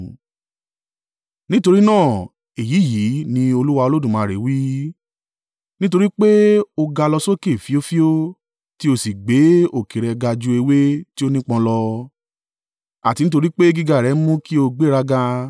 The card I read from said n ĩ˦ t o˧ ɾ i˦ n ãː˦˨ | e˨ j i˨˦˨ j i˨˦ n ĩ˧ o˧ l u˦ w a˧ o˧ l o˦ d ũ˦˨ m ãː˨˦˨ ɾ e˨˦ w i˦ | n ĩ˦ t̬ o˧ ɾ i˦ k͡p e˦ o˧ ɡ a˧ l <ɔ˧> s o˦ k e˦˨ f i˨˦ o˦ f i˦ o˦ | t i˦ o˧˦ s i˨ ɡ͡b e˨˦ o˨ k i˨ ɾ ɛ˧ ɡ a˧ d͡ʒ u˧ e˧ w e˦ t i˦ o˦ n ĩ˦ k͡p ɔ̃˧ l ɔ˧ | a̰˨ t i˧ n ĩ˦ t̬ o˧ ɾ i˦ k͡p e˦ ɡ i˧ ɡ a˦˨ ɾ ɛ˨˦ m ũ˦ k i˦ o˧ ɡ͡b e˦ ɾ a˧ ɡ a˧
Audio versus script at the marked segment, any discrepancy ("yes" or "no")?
no